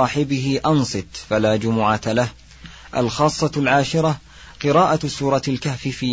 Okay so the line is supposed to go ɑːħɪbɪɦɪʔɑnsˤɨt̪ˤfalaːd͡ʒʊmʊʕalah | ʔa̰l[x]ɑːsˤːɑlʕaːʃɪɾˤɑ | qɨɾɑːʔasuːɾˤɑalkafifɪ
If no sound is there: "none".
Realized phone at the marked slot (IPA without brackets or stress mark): x